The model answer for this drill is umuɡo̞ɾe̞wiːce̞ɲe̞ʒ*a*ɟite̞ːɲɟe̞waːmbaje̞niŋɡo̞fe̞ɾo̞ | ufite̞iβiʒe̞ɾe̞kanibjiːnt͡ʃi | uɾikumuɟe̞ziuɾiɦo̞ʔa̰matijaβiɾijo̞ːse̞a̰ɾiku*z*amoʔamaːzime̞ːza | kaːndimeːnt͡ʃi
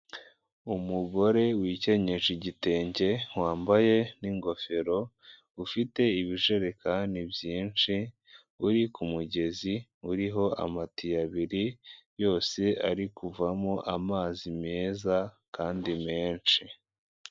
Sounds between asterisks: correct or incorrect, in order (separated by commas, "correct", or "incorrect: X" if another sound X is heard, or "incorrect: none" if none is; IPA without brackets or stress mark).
incorrect: i, incorrect: v